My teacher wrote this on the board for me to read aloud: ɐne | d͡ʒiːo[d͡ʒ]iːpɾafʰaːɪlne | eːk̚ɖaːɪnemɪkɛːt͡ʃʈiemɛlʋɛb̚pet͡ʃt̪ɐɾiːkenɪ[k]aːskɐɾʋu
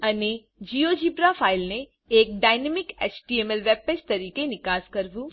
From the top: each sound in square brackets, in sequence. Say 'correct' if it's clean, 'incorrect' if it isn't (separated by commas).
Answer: correct, correct